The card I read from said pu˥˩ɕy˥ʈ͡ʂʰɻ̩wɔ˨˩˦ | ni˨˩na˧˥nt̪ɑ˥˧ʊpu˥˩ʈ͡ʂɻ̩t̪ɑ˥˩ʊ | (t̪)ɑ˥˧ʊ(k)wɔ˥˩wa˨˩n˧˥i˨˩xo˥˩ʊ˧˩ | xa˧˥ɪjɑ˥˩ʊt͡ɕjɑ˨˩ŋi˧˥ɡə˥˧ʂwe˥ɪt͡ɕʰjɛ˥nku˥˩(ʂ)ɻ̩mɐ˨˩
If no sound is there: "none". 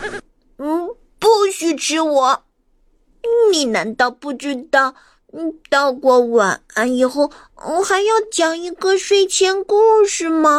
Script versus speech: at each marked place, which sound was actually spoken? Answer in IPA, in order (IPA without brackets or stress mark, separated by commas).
t̪, k, ʂ